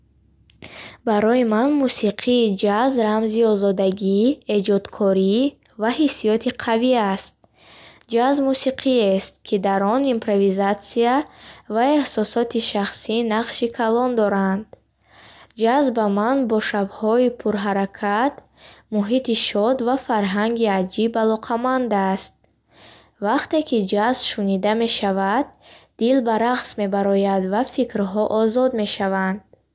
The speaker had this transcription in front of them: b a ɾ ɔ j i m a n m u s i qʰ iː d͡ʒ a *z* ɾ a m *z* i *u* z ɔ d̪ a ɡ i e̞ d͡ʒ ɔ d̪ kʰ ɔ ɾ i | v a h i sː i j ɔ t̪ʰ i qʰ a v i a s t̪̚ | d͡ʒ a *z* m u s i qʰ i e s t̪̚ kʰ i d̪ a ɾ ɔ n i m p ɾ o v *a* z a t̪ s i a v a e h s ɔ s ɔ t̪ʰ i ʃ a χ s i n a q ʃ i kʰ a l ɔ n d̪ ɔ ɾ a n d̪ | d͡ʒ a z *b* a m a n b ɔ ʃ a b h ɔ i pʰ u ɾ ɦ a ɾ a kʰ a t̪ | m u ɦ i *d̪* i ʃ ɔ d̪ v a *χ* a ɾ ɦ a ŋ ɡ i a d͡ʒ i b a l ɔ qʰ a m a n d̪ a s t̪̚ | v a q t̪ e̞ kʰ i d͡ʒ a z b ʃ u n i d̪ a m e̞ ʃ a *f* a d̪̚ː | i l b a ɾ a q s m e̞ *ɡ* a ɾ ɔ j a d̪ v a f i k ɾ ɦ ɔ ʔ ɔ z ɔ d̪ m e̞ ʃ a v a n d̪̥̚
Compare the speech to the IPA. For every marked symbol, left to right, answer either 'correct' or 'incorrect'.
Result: correct, correct, incorrect, correct, incorrect, correct, incorrect, incorrect, incorrect, incorrect

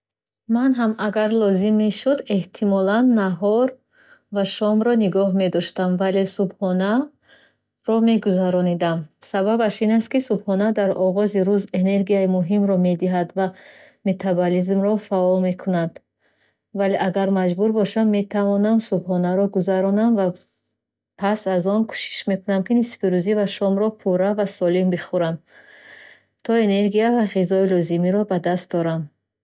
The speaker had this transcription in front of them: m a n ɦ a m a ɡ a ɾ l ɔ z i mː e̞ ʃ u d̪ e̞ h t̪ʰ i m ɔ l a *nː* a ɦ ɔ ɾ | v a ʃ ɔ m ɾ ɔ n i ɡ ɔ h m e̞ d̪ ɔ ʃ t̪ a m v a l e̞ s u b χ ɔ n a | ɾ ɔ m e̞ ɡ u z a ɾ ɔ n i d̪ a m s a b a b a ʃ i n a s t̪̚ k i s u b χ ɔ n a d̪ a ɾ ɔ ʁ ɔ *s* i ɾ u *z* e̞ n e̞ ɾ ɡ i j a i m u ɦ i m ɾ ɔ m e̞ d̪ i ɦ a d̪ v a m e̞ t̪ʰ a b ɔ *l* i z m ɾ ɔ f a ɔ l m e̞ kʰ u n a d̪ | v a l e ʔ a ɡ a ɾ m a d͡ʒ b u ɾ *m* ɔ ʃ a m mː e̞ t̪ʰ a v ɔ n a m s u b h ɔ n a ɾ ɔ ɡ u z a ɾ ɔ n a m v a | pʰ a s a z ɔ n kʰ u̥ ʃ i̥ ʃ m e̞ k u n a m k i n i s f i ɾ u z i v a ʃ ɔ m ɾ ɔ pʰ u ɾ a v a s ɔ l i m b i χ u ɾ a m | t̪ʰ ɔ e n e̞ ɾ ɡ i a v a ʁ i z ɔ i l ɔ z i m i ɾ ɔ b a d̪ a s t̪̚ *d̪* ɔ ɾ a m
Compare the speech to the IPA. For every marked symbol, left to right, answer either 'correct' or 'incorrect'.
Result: correct, incorrect, correct, correct, incorrect, correct

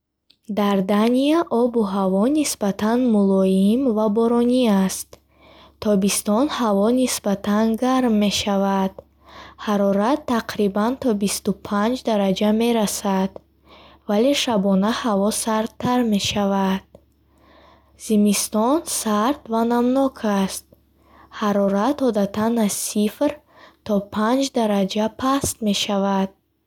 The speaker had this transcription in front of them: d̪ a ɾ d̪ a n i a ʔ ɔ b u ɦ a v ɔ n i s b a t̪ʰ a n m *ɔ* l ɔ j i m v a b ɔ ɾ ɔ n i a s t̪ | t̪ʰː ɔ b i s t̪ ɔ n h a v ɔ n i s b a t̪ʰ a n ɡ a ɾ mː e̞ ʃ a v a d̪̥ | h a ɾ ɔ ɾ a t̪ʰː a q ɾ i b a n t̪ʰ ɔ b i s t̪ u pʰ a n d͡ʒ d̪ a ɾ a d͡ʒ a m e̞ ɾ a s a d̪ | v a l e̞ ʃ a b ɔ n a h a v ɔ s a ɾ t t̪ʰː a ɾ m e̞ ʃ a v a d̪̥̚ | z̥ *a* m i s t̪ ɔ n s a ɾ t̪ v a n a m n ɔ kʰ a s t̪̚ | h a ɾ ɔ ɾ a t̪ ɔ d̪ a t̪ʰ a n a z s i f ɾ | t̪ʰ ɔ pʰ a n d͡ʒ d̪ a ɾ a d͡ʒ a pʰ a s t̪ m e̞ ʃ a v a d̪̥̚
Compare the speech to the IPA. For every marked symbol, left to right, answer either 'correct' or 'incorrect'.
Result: incorrect, incorrect

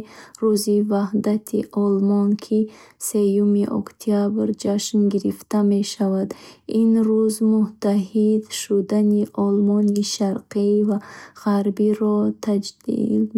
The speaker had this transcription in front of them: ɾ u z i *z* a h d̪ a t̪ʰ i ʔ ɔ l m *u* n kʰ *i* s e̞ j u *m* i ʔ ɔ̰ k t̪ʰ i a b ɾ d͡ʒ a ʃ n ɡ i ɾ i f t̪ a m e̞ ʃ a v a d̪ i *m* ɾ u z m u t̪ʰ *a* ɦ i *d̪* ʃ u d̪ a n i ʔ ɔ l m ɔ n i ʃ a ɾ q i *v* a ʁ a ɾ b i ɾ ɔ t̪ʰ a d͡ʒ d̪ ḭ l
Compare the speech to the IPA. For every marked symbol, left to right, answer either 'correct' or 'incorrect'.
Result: incorrect, incorrect, correct, correct, incorrect, correct, correct, correct

